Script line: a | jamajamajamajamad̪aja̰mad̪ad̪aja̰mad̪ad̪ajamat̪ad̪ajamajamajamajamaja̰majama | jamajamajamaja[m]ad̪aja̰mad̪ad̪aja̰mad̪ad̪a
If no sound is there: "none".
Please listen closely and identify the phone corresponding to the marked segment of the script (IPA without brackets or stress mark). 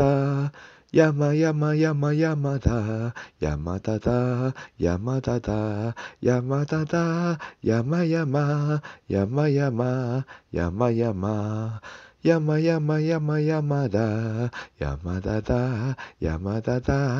m